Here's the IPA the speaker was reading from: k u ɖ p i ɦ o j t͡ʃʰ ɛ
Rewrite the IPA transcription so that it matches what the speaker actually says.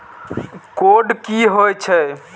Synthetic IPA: k o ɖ k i ɦ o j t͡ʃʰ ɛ